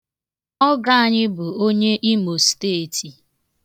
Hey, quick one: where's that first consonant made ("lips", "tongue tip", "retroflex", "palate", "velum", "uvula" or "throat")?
velum